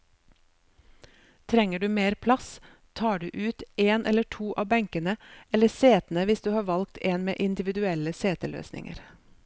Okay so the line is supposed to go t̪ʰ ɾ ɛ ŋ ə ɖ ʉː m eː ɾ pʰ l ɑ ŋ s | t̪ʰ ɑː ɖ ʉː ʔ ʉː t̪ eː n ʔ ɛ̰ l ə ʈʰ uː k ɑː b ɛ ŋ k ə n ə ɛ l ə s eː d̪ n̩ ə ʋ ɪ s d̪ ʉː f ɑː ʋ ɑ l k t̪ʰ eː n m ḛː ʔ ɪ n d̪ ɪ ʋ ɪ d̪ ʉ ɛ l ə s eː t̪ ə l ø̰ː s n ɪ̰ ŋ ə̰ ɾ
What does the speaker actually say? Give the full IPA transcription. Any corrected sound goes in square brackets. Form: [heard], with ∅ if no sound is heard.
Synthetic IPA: t̪ʰ ɾ ɛ ŋ ə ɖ ʉː m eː ɾ pʰ l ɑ [∅] s | t̪ʰ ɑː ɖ ʉː ʔ ʉː t̪ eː n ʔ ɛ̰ l ə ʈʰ uː [ʔ] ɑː b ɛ ŋ k ə n ə ɛ l ə s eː [t̪] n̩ ə ʋ ɪ s d̪ ʉː [h] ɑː ʋ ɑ l k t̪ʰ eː n m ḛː ʔ ɪ n d̪ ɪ ʋ ɪ d̪ ʉ ɛ l ə s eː t̪ ə l ø̰ː s n ɪ̰ ŋ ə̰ ɾ